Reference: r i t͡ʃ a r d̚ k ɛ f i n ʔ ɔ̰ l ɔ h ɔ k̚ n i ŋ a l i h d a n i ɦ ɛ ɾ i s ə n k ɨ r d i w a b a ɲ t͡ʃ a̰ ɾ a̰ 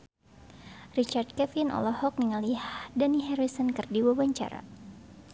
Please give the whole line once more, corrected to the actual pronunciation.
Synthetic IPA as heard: r i t͡ʃ a r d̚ k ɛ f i n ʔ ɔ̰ l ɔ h ɔ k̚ n i ŋ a l i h d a n i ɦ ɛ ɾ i s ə n k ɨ r d i w a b a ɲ t͡ʃ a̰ ɾ a̰